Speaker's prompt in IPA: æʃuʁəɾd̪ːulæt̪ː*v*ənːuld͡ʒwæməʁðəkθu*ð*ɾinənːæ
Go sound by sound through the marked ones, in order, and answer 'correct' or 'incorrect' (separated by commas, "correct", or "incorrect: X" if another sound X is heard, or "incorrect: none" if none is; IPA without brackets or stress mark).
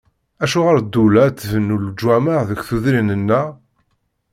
correct, correct